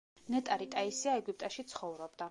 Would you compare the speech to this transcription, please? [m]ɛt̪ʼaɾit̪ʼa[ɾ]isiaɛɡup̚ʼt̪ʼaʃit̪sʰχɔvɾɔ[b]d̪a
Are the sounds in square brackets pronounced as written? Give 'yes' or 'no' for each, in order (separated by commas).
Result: no, no, yes